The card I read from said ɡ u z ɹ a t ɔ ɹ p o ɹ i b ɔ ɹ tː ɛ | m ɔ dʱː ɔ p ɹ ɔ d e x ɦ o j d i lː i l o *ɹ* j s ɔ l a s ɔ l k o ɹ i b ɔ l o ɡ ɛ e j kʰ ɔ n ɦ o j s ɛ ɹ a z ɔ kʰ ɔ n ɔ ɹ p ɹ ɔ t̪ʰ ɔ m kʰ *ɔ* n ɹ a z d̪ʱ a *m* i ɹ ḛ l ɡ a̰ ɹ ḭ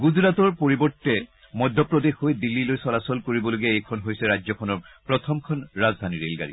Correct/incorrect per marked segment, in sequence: incorrect, correct, incorrect

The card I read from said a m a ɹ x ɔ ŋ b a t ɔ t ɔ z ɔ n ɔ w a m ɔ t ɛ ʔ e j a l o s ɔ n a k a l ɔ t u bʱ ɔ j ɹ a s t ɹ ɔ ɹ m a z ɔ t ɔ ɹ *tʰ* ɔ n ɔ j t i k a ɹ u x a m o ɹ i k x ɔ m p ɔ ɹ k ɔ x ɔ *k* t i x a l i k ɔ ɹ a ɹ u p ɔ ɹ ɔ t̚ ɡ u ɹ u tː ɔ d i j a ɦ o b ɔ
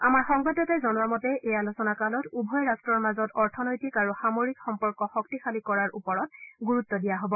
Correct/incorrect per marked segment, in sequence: correct, correct

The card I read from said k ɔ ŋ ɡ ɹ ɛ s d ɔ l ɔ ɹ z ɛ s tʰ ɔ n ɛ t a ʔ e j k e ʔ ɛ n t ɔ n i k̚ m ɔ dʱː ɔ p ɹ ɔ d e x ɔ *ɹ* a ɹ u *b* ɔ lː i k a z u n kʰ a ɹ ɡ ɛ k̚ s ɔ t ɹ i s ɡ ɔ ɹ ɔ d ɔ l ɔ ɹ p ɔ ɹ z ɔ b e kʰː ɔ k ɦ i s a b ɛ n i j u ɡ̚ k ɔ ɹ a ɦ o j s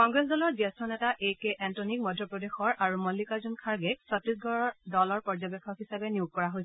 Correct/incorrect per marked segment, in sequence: correct, incorrect

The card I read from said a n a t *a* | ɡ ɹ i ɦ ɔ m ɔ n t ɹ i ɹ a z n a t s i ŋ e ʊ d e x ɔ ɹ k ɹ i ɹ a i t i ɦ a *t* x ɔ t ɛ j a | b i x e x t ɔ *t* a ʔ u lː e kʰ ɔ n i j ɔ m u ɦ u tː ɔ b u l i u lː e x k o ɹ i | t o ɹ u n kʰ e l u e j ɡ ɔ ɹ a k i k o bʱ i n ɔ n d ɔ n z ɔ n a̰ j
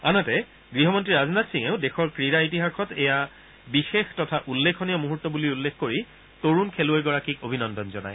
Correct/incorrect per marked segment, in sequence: incorrect, incorrect, incorrect

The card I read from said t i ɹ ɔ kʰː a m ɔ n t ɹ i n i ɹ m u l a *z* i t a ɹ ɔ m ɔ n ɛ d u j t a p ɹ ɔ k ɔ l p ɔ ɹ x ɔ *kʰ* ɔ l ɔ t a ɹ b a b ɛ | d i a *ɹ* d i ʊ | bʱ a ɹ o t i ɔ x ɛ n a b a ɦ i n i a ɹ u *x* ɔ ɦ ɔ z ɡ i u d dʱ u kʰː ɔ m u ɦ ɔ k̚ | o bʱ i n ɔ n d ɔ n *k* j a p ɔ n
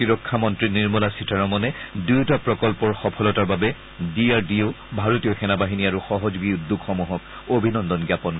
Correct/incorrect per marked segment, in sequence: incorrect, incorrect, correct, correct, incorrect

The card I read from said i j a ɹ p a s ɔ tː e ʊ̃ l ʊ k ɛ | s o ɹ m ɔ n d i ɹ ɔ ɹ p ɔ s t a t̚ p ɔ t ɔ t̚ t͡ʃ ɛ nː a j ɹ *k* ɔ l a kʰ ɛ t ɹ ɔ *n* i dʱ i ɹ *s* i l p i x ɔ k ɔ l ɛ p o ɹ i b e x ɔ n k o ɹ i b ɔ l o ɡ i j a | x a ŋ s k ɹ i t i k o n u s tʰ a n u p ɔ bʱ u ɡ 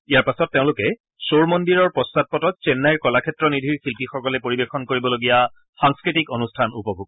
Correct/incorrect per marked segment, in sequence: correct, correct, incorrect

